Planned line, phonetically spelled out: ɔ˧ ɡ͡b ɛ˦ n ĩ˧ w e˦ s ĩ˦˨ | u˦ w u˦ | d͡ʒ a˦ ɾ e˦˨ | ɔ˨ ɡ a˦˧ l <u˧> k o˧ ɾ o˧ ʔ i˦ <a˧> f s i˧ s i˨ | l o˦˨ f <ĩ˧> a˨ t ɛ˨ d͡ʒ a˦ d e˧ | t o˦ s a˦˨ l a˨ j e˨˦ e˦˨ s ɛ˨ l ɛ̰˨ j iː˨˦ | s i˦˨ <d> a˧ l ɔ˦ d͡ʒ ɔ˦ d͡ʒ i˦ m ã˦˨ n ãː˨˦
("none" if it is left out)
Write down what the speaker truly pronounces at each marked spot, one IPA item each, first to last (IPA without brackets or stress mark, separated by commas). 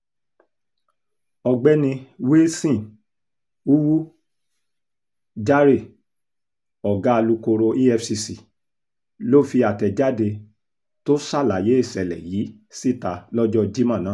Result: u˧, ɛ˧, i˧, t